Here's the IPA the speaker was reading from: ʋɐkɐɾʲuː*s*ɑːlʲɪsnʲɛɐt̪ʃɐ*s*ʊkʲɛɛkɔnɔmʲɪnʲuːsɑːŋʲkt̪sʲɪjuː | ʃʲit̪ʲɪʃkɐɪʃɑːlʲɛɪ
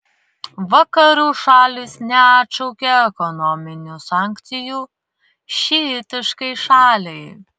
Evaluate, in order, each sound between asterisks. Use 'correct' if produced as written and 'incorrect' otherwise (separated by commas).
incorrect, incorrect